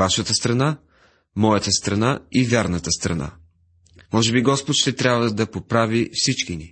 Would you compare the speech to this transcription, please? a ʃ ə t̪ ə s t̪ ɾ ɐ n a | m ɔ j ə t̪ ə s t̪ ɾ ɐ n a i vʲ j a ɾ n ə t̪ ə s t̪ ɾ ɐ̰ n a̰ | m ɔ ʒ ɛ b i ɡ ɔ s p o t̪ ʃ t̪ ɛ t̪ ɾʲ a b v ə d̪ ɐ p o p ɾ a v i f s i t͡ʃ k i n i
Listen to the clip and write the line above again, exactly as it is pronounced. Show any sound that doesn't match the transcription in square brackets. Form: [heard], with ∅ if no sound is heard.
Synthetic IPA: a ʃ ə t̪ ə s t̪ ɾ ɐ n a | m ɔ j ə t̪ ə s t̪ ɾ ɐ n a i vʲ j a ɾ n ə t̪ ə s t̪ ɾ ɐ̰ n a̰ | m ɔ ʒ ɛ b i ɡ ɔ s p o t̪ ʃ t̪ ɛ t̪ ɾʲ a b v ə d̪ ɐ p o p ɾ a v i f s i t͡ʃ k i n i